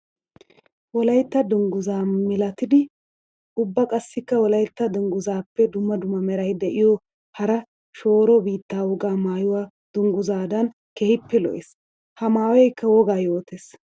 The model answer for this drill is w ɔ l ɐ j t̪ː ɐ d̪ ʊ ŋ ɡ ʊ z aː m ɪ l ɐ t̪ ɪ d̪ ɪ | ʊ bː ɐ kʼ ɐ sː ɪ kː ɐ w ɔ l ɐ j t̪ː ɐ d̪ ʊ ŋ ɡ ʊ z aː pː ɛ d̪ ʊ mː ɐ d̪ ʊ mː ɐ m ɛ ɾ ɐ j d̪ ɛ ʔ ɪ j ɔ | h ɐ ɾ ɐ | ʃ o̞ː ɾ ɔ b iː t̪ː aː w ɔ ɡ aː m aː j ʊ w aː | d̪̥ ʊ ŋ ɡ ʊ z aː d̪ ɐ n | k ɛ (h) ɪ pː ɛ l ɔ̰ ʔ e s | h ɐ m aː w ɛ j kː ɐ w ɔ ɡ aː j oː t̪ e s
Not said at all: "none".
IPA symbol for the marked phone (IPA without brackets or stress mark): h